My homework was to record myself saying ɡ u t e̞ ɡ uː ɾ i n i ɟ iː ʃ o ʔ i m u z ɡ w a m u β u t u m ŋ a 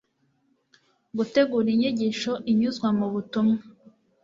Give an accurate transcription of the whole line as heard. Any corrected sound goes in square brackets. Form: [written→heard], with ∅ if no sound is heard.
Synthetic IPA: ɡ u t e̞ ɡ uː ɾ i [n→ɲ] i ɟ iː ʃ o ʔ i [m→ɲ] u z ɡ w a m u β u t u m ŋ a